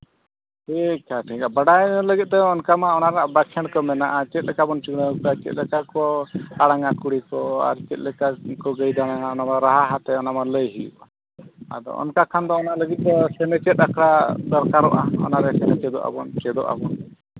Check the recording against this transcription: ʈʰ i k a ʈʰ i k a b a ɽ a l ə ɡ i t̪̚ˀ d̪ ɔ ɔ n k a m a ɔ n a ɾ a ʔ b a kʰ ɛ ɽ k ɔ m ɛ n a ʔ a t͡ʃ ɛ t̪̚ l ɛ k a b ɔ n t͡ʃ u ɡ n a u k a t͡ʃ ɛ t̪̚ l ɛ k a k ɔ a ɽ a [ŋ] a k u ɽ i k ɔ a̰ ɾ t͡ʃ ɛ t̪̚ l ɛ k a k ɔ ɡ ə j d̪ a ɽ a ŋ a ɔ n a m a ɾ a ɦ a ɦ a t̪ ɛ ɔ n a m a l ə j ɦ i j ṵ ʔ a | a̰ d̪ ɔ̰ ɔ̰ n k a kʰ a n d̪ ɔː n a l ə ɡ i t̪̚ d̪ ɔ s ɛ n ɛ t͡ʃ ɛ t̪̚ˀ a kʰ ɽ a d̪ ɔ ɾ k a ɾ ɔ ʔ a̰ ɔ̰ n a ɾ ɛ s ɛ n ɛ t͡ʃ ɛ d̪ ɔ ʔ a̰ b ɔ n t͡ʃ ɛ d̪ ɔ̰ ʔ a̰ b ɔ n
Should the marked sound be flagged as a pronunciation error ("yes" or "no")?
no